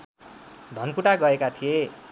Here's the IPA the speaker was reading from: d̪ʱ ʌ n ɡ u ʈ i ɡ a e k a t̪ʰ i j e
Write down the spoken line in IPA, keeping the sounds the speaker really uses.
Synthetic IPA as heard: d̪ʱ ʌ n k u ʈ a ɡ ʌ e k a t̪ʰ i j e